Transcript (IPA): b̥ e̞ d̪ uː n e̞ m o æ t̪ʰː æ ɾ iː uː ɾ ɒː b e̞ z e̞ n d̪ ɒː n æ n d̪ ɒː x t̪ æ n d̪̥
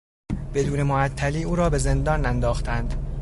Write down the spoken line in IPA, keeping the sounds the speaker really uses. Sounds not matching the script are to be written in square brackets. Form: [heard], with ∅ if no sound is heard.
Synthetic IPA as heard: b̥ e̞ d̪ uː n e̞ m o æ t̪ʰː æ [l] iː uː ɾ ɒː b e̞ z e̞ n d̪ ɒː n æ n d̪ ɒː x t̪ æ n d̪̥